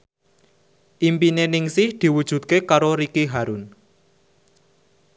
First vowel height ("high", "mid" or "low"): high